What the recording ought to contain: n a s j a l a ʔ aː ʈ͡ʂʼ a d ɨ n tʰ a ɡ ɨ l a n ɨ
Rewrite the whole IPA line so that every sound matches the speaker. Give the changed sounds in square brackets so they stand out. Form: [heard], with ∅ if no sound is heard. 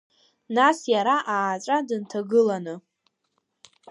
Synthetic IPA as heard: n a s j a [ɾ] a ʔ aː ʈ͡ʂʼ a d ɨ n tʰ a ɡ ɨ l a n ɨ